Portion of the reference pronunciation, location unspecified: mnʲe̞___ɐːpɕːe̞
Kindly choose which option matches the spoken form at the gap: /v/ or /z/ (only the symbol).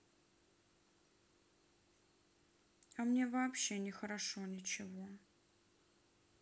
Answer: v